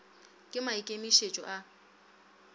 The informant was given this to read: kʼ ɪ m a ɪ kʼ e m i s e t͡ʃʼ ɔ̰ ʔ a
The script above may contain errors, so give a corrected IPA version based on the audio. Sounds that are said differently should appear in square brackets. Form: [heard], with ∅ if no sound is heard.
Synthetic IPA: kʼ ɪ m a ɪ kʼ e m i [ʃ] e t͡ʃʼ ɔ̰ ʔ a